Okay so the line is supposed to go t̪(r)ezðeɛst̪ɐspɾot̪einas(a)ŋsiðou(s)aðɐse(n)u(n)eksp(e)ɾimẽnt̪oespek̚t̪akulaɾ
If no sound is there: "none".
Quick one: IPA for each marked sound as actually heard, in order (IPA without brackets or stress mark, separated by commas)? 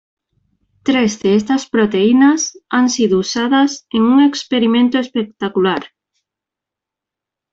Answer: ɾ, a, s, ŋ, ŋ, e